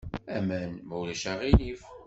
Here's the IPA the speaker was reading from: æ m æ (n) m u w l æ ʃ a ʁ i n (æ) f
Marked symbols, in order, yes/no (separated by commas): yes, no